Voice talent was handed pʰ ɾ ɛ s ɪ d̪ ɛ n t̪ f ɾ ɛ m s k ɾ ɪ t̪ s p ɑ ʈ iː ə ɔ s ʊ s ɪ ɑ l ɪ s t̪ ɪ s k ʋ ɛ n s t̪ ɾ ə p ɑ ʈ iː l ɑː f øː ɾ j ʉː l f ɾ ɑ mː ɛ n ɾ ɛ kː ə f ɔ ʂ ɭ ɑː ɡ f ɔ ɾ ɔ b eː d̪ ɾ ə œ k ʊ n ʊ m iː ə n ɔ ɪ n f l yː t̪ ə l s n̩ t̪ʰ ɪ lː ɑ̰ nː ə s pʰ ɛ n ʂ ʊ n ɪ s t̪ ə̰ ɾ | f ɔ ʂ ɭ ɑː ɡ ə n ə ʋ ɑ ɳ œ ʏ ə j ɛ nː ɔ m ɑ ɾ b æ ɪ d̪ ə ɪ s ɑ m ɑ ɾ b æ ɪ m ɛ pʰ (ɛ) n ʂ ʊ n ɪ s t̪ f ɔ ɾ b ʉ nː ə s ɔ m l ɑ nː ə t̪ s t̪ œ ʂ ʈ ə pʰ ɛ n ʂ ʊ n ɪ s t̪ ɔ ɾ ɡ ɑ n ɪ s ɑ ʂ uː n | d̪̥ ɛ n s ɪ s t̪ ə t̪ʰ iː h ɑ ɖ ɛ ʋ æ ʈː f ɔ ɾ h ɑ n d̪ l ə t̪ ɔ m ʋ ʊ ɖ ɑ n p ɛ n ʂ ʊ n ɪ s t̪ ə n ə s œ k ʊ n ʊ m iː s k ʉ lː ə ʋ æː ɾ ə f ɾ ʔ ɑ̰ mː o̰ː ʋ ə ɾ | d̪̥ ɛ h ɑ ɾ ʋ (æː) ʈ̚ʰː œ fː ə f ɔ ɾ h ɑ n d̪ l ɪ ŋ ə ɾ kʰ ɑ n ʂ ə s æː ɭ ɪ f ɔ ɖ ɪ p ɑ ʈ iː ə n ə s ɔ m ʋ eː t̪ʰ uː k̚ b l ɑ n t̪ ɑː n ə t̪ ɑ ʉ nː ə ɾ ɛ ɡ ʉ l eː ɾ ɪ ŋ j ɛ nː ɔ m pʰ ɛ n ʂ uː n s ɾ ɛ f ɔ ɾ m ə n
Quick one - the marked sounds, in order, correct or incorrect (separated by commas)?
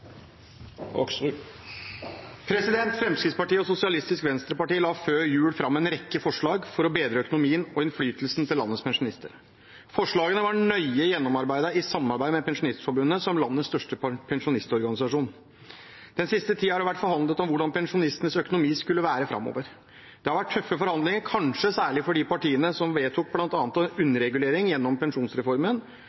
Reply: correct, incorrect